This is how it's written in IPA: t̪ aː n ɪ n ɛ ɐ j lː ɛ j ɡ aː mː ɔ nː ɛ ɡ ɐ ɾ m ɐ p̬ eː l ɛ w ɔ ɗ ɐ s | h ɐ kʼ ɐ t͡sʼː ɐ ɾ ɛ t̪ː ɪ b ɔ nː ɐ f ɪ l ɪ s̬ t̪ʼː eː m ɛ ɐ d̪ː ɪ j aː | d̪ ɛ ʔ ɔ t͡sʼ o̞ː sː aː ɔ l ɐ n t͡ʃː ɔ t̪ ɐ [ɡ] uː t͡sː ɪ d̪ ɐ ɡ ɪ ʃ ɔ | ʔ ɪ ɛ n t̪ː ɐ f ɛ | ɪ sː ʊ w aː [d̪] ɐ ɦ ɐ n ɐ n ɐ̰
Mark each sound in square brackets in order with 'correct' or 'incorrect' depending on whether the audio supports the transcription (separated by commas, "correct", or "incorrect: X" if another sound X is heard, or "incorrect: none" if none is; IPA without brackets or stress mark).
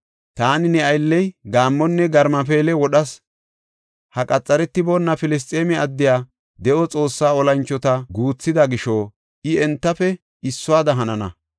correct, correct